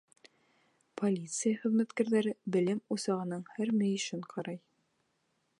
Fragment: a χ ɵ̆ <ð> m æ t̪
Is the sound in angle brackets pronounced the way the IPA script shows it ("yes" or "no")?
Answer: yes